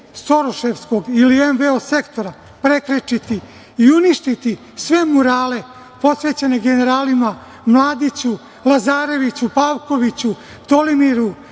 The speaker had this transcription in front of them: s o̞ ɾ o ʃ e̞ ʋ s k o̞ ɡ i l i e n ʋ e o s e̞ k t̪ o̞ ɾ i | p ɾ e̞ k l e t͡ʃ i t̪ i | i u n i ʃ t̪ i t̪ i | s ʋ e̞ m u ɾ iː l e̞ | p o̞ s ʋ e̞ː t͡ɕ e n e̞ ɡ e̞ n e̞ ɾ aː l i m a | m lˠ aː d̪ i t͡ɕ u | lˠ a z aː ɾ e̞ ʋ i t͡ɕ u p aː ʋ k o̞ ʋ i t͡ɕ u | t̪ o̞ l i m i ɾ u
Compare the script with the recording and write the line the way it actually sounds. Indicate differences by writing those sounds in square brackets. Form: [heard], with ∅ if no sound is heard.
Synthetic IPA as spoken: s o̞ ɾ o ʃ e̞ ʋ s k o̞ ɡ i l i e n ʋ e o s e̞ k t̪ o̞ ɾ [a] | p ɾ e̞ k [ɾ] e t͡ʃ i t̪ i | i u n i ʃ t̪ i t̪ i | s ʋ e̞ m u ɾ [aː] l e̞ | p o̞ s ʋ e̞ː t͡ɕ e n e̞ ɡ e̞ n e̞ ɾ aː l i m a | m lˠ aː d̪ i t͡ɕ u | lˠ a z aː ɾ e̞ ʋ i t͡ɕ u p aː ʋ k o̞ ʋ i t͡ɕ u | t̪ o̞ l i m i ɾ u